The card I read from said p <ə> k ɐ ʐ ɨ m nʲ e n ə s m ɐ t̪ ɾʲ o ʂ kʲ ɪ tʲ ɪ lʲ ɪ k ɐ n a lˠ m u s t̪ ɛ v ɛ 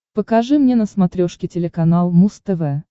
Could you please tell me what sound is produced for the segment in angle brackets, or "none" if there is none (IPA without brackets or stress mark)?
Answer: ə